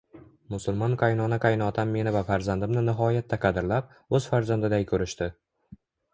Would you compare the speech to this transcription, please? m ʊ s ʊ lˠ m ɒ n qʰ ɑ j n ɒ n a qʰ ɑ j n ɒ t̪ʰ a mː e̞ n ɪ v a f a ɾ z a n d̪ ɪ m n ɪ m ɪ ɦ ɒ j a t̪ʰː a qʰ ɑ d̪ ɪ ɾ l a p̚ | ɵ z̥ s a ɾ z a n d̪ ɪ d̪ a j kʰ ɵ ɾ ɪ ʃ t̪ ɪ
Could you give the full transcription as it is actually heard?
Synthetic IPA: m ʊ s ʊ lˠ m ɒ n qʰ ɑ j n ɒ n a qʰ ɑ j n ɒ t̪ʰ a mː e̞ n ɪ v a f a ɾ z a n d̪ ɪ m n ɪ n ɪ ɦ ɒ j a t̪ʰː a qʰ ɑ d̪ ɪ ɾ l a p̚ | ɵ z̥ f a ɾ z a n d̪ ɪ d̪ a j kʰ ɵ ɾ ɪ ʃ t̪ ɪ